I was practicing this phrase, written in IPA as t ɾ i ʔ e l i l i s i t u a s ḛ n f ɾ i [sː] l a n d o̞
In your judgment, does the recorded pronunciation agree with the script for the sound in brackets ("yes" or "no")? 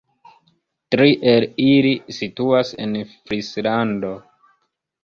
no